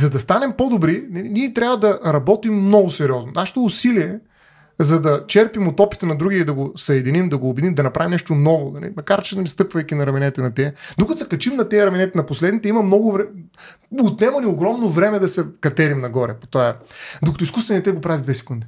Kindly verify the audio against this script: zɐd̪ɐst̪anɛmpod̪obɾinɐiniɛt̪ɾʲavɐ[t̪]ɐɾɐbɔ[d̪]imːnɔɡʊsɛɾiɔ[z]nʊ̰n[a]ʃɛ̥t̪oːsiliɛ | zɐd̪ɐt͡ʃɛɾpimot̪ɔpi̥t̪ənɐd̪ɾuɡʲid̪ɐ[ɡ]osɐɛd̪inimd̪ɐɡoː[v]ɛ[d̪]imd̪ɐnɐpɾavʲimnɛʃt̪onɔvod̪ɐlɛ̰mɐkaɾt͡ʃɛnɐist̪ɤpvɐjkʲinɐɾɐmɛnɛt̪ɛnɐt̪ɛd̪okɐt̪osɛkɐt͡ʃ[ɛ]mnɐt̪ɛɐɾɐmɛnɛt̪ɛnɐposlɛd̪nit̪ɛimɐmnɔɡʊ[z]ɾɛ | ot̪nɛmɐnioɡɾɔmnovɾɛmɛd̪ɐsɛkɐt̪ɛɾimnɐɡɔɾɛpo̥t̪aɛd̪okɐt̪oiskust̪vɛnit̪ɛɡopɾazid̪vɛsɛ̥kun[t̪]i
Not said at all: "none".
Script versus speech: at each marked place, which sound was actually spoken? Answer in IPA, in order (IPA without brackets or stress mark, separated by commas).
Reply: d̪, t̪, z, a, ɡ, b, d̪, i, v, d̪